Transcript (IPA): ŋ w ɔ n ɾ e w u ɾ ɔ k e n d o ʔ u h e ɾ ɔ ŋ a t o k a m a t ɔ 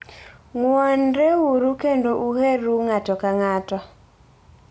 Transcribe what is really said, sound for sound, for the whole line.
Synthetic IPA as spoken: ŋ w ɔ n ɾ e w u ɾ u k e n d o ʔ u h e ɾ u ŋ a t ɔ k a ŋ a t ɔ